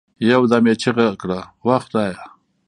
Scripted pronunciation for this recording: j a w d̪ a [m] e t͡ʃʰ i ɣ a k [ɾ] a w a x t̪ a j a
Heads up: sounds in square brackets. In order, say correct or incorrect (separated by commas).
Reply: correct, incorrect